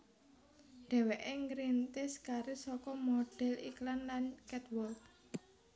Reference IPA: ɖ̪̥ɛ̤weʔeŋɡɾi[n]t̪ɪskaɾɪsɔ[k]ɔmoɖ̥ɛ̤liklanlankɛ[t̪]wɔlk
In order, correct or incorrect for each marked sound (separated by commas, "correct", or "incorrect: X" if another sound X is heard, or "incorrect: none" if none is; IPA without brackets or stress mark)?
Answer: correct, correct, correct